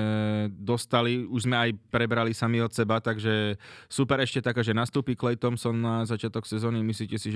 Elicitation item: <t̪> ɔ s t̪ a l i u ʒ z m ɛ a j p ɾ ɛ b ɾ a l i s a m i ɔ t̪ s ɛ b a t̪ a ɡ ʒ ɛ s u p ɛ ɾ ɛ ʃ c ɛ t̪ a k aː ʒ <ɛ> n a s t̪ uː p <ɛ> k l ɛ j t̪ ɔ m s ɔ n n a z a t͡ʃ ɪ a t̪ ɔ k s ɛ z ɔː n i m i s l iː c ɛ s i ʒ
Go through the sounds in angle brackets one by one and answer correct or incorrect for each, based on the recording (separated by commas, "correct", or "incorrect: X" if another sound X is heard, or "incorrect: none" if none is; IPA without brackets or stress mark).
incorrect: d̪, correct, incorrect: i